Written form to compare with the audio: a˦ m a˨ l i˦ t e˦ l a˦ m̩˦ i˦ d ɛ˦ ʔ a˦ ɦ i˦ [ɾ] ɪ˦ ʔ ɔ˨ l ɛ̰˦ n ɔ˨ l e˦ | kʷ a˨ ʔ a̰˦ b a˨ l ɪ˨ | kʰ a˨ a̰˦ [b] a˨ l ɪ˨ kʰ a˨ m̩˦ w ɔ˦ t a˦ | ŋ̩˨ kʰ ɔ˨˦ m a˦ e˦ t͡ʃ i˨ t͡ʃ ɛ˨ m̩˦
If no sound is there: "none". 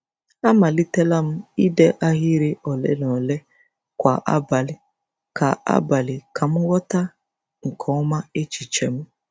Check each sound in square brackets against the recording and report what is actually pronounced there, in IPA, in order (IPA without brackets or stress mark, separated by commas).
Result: ɾ, b